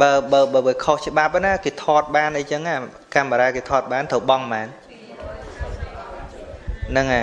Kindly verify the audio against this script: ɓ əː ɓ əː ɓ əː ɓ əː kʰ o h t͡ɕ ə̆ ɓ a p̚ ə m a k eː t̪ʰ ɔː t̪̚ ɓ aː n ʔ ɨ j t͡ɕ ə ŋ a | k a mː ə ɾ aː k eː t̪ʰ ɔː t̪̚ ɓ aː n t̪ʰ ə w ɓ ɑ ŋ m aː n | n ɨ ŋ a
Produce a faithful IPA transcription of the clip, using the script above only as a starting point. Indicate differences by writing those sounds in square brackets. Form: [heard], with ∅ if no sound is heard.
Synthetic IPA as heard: ɓ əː ɓ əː ɓ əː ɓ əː kʰ o h t͡ɕ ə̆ ɓ a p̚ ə [n] a k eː t̪ʰ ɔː t̪̚ ɓ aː n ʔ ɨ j t͡ɕ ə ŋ a | k a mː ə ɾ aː k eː t̪ʰ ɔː t̪̚ ɓ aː n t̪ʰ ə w ɓ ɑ ŋ m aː n | n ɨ ŋ a